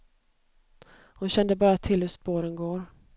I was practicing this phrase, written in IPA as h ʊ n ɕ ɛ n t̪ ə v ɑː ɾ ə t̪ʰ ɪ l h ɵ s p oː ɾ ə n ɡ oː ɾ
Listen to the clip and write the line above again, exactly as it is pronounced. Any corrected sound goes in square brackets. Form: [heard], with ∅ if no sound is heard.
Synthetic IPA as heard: h ʊ n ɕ ɛ n [d̪] ə [b] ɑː ɾ [a] t̪ʰ ɪ l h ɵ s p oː ɾ ə n ɡ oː ɾ